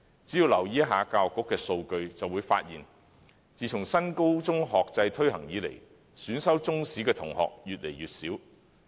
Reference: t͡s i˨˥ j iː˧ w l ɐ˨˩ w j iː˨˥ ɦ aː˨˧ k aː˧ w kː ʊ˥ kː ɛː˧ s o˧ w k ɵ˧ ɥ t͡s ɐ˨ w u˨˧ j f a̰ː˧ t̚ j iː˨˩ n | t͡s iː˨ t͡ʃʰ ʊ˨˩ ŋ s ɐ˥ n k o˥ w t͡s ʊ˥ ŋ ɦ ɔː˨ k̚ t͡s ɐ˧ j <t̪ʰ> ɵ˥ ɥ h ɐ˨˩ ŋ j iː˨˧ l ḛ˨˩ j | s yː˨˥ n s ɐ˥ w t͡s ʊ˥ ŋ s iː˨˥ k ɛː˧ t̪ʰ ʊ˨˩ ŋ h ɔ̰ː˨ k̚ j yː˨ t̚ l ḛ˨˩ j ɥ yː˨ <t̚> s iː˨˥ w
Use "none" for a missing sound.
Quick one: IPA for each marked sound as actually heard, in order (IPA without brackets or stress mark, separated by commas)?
t̪ʰ, t̚